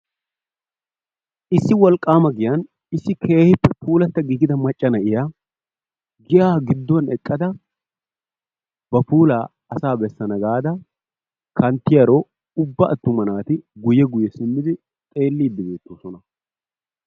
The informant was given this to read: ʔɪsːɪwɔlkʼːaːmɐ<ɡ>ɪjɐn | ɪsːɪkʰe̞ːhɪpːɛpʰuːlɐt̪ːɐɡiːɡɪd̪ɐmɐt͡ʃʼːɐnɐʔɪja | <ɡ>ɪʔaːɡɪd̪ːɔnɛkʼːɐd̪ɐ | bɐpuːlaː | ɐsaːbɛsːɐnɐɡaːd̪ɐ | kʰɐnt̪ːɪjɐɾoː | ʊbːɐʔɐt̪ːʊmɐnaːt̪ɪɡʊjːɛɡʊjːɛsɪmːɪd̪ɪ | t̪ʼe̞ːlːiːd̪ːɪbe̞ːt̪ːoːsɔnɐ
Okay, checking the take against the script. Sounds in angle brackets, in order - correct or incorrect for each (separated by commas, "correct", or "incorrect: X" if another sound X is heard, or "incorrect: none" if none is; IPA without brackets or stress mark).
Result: correct, correct